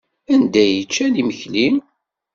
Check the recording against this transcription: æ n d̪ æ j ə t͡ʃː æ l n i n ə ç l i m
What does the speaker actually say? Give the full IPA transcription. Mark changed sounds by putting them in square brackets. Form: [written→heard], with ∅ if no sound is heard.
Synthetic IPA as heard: æ n d̪ æ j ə t͡ʃː æ [l→∅] n i [n→m] ə ç l i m